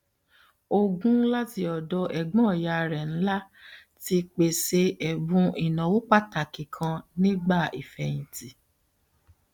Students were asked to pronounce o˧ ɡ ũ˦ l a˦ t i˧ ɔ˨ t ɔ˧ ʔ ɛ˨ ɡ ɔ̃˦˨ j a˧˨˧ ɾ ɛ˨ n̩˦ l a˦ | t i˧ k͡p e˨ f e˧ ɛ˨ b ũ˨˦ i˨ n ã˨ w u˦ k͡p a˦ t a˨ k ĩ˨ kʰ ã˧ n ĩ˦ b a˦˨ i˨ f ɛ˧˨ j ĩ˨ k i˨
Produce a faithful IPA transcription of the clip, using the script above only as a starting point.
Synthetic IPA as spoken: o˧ ɡ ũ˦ l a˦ t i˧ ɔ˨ d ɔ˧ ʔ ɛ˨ ɡ͡b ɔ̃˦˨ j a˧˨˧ ɾ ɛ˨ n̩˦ l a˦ | t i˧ k͡p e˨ s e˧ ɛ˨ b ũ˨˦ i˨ n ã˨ w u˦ k͡p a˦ t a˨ k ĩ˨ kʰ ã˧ n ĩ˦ ɡ͡b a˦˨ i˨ f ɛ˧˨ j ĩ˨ t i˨

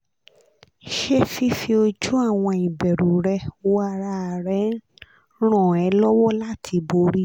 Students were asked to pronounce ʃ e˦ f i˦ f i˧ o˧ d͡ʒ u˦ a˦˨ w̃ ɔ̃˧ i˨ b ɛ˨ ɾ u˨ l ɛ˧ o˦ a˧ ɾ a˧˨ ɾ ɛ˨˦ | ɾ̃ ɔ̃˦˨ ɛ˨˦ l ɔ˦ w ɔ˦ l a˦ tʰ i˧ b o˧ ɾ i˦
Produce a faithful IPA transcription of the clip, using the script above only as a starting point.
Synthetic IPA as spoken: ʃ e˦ f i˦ f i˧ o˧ d͡ʒ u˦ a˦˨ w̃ ɔ̃˧ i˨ b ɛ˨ ɾ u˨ ɾ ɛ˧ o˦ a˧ ɾ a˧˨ ɾ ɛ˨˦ | ɾ̃ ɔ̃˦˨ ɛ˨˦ l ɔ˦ w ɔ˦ l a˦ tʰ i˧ b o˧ ɾ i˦

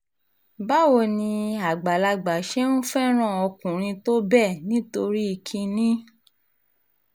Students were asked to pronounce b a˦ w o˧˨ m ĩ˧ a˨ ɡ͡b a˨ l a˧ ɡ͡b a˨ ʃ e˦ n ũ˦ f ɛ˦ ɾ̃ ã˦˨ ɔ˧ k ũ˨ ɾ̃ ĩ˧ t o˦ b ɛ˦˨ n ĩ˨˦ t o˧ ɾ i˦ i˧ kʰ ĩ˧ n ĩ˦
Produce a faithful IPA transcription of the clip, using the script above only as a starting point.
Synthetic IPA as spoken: b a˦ w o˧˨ n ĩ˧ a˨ ɡ͡b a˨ l a˧ ɡ͡b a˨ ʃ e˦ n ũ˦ f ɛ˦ ɾ̃ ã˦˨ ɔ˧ k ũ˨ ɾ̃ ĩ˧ t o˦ b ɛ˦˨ n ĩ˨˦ t o˧ ɾ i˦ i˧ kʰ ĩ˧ n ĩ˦

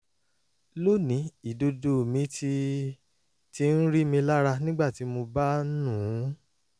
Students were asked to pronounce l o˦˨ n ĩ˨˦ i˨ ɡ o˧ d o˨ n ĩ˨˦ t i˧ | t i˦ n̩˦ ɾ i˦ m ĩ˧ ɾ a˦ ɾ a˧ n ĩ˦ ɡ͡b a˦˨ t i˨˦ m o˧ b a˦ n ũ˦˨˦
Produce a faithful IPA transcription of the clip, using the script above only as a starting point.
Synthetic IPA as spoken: l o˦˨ n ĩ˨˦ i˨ d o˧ d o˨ m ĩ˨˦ t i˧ | t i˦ n̩˦ ɾ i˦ m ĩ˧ l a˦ ɾ a˧ n ĩ˦ ɡ͡b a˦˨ t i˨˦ m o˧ b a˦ n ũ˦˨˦

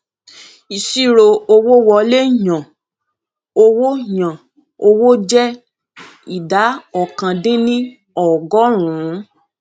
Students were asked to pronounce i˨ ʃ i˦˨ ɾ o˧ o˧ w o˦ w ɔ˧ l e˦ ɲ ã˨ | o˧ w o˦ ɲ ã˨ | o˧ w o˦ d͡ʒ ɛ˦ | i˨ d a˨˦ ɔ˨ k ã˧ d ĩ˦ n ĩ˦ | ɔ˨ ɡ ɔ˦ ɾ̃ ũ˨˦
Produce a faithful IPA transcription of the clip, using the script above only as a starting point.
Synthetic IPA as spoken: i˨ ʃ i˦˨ ɾ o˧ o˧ w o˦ w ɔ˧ l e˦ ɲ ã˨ | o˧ w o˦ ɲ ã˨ | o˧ w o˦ d͡ʒ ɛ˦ | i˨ d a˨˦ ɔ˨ k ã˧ d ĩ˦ n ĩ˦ | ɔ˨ ɡ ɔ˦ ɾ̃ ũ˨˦

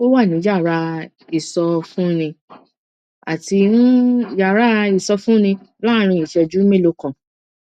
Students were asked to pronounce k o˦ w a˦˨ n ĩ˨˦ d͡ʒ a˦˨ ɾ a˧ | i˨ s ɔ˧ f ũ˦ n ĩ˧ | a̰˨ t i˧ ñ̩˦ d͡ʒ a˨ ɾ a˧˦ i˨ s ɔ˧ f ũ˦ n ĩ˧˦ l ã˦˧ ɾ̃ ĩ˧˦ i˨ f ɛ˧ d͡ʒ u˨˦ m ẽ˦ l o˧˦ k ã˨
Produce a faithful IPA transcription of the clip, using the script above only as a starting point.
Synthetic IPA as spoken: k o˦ w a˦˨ n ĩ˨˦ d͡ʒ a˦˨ ɾ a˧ | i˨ s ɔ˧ f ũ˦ n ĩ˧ | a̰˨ t i˧ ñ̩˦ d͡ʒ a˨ ɾ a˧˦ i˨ s ɔ˧ f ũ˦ n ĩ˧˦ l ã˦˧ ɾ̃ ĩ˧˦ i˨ ʃ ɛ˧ d͡ʒ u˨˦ m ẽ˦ l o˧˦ k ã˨

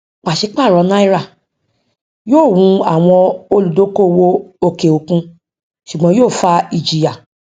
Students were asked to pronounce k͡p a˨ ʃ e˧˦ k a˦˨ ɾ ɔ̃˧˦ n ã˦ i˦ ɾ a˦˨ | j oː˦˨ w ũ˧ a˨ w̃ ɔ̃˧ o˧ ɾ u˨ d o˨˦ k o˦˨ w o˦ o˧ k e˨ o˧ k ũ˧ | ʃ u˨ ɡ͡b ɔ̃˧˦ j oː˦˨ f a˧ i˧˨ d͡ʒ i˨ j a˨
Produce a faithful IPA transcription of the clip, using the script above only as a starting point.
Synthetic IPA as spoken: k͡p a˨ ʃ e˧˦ k͡p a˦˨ ɾ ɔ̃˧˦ n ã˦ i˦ ɾ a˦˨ | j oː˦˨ w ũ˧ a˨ w̃ ɔ̃˧ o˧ l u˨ d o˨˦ k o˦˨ w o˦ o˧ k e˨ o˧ k ũ˧ | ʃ u˨ ɡ͡b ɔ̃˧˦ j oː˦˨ f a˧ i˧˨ d͡ʒ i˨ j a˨

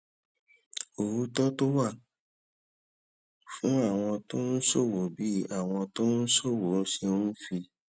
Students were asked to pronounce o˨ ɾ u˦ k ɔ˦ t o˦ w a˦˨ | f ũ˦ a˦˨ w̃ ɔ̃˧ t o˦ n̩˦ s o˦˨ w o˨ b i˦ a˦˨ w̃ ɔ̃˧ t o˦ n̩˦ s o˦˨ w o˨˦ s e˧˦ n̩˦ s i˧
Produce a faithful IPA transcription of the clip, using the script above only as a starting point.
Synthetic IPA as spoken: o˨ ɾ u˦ t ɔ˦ t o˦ w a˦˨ | f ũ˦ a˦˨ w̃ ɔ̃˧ t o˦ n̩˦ s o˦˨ w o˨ b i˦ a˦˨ w̃ ɔ̃˧ t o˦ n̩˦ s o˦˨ w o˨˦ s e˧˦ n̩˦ f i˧

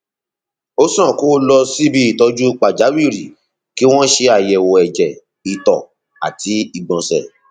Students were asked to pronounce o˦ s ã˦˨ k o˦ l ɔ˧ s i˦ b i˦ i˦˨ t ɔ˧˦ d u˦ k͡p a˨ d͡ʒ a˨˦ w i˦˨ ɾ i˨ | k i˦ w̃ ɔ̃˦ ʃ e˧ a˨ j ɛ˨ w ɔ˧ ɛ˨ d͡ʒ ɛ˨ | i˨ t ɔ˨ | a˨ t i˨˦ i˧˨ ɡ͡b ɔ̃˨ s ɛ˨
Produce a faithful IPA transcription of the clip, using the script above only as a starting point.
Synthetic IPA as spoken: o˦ s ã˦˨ k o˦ l ɔ˧ s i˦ b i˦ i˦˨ t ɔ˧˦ d͡ʒ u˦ k͡p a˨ d͡ʒ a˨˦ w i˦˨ ɾ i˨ | k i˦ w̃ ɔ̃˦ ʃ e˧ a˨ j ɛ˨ w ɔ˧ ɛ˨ d͡ʒ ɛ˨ | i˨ t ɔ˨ | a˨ t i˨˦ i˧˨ ɡ͡b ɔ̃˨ s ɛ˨

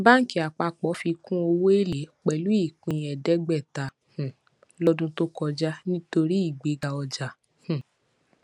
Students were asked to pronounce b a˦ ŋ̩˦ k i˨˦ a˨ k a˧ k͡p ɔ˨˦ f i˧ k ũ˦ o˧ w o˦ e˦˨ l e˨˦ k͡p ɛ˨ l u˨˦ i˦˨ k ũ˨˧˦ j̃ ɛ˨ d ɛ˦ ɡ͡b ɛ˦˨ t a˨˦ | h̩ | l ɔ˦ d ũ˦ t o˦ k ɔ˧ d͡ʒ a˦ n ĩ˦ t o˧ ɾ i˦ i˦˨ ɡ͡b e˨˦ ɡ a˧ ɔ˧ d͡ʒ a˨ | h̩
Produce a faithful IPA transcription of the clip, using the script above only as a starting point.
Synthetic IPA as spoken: b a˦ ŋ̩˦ k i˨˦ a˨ k͡p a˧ k͡p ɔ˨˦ f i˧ k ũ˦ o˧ w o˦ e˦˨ l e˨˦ k͡p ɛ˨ l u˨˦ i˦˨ k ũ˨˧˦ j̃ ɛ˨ d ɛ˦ ɡ͡b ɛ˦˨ t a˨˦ | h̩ | l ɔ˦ d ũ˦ t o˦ k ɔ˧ d͡ʒ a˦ n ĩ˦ t o˧ ɾ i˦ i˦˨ ɡ͡b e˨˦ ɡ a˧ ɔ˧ d͡ʒ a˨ | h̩

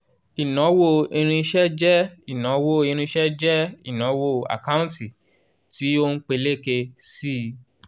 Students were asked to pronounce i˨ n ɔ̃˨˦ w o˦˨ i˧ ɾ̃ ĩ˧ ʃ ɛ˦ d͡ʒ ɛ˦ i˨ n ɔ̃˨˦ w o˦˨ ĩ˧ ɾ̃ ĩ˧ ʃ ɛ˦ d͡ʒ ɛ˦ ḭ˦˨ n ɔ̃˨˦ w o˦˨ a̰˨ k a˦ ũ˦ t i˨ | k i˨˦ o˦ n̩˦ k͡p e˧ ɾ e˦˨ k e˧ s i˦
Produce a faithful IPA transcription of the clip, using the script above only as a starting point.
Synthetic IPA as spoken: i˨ n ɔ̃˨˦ w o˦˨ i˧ ɾ̃ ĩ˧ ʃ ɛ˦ d͡ʒ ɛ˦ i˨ n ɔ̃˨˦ w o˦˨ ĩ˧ ɾ̃ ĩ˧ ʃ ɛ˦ d͡ʒ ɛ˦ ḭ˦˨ n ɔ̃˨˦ w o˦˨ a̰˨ k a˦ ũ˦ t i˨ | t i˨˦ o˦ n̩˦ k͡p e˧ l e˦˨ k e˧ s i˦

